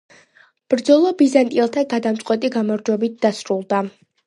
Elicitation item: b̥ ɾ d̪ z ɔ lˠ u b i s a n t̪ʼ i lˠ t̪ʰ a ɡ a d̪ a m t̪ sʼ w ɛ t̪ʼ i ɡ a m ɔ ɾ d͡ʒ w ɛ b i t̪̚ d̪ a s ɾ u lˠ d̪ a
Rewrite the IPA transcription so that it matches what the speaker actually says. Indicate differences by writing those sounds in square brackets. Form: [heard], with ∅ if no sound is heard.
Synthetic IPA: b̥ ɾ d̪ z ɔ lˠ [ɔ] b i [z] a n t̪ʼ i lˠ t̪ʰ a ɡ a d̪ a m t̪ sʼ w ɛ t̪ʼ i ɡ a m ɔ ɾ d͡ʒ w ɛ b i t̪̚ d̪ a s ɾ u lˠ d̪ a